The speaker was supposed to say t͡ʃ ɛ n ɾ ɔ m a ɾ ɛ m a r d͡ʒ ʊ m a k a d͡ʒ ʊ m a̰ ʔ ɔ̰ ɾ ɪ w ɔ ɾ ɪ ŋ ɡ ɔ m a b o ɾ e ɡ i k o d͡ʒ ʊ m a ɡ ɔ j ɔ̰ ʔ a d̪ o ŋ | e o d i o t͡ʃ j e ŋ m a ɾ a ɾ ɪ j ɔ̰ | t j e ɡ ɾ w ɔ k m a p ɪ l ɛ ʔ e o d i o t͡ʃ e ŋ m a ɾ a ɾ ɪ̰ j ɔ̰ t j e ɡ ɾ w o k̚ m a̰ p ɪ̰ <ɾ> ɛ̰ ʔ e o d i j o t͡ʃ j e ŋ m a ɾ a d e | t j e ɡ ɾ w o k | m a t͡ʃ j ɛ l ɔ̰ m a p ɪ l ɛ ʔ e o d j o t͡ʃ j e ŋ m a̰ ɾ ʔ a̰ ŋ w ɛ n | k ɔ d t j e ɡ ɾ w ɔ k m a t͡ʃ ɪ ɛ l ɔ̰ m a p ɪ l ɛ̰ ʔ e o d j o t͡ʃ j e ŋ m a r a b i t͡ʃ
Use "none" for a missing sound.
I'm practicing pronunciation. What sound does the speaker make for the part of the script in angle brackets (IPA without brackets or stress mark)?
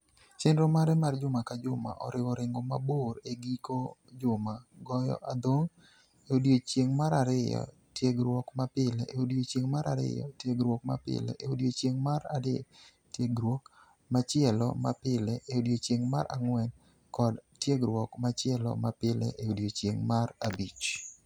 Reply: l